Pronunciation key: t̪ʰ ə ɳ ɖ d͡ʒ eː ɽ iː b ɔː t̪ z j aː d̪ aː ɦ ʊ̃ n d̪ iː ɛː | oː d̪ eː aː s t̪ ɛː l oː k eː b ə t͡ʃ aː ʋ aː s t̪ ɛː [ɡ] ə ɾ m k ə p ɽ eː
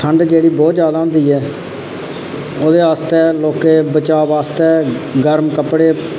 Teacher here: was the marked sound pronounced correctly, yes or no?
yes